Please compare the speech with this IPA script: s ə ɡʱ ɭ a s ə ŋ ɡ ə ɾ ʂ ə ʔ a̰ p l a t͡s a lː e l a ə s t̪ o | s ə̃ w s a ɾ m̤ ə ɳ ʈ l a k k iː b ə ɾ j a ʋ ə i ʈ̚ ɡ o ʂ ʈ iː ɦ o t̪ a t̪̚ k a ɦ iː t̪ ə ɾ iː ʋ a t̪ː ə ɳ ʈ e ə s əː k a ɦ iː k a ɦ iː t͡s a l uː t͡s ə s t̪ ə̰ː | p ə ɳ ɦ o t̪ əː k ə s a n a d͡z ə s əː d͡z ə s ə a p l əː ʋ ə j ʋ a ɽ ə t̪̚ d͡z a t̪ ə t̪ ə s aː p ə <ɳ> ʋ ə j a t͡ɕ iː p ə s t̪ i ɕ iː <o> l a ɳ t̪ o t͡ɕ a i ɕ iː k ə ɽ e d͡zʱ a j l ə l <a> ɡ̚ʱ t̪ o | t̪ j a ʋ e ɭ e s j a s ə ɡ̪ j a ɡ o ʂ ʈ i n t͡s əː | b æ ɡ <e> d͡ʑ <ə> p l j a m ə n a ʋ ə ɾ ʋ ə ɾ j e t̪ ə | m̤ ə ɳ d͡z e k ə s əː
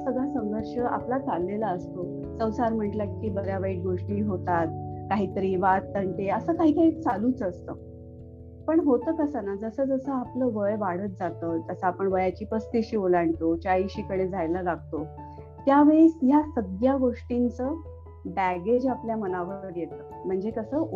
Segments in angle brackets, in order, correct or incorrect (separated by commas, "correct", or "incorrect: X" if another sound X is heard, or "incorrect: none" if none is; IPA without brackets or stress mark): correct, correct, correct, correct, incorrect: a